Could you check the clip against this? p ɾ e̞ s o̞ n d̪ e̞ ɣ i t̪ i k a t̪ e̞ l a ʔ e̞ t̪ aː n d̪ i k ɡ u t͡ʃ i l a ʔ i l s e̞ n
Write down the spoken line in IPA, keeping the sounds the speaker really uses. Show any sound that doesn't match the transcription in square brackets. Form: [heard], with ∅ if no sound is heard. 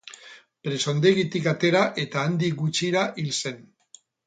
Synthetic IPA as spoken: p ɾ e̞ s o̞ n d̪ e̞ ɣ i t̪ i k a t̪ e̞ [ɾ] a ʔ e̞ t̪ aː n d̪ i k ɡ u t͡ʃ i [ɾ] a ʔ i l s e̞ n

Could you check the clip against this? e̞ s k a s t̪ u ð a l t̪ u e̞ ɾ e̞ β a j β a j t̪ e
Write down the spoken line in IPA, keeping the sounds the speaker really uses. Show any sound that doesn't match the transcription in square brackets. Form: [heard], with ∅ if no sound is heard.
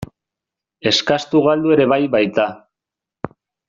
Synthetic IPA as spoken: e̞ s k a s t̪ u [ɣ] a l [d̪] u e̞ ɾ e̞ β a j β a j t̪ [a]

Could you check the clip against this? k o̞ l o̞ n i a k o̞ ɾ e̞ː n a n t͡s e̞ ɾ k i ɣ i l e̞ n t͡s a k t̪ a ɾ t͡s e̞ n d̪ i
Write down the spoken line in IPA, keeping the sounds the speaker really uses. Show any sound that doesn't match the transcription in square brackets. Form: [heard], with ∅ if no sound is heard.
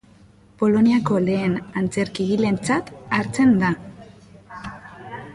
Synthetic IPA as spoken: [p] o̞ l o̞ n i a k o̞ [l] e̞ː n a n t͡s e̞ ɾ k i ɣ i l e̞ n t͡s a [∅] t̪ a ɾ t͡s e̞ n d̪ [a]

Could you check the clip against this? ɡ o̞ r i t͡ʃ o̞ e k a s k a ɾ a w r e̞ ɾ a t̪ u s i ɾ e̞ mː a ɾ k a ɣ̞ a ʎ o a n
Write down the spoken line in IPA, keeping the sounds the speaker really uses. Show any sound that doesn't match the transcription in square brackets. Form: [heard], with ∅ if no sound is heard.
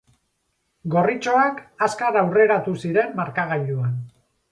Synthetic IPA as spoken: ɡ o̞ r i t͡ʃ o̞ [a] k a s k a ɾ a w r e̞ ɾ a t̪ u s i ɾ e̞ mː a ɾ k a ɣ̞ a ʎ [u] a n

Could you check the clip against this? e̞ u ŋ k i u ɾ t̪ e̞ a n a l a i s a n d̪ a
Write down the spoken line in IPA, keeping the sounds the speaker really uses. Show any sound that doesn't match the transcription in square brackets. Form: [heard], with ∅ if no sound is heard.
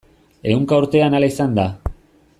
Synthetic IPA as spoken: e̞ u ŋ k [a] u ɾ t̪ e̞ a n a l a i s a n d̪ a

